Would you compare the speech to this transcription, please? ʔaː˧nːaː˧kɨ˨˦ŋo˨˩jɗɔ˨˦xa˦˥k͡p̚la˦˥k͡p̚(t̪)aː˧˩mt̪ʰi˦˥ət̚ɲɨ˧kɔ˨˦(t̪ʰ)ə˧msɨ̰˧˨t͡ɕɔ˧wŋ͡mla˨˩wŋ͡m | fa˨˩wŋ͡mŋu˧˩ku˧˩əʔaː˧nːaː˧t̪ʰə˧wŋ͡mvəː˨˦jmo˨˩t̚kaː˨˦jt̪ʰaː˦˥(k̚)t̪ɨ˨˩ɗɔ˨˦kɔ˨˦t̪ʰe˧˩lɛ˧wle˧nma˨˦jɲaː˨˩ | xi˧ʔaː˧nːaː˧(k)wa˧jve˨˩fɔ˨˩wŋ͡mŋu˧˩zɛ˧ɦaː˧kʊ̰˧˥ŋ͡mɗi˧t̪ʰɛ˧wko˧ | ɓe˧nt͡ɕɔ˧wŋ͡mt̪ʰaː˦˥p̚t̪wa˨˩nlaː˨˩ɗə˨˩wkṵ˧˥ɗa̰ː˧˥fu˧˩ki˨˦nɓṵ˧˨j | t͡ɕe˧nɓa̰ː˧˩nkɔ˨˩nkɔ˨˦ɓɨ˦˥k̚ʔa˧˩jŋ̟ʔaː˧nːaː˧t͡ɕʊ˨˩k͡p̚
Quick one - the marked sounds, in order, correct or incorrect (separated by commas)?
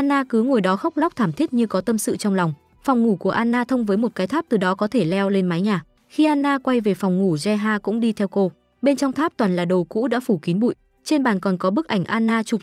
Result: incorrect, incorrect, incorrect, correct